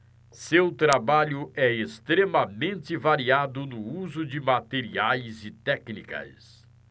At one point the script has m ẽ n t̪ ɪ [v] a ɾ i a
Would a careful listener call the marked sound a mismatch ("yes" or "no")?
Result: no